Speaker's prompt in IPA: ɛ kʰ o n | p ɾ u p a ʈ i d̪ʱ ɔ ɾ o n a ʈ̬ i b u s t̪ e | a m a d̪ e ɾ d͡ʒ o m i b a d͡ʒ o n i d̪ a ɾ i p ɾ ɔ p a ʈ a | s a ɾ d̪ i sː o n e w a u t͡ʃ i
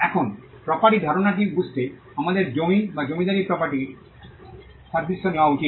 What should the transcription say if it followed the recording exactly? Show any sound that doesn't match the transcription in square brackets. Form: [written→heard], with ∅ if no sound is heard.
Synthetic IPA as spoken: ɛ kʰ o n | p ɾ [u→ɔ] p a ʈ i d̪ʱ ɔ ɾ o n a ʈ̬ i b u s t̪ e | a m a d̪ e ɾ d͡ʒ o m i b a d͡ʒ o [n→m] i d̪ a ɾ i p ɾ ɔ p a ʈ [a→i] | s a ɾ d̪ i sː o n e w a u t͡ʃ i